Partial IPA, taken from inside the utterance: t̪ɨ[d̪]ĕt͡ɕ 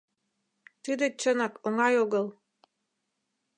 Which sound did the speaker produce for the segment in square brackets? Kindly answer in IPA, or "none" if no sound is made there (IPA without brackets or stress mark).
d̪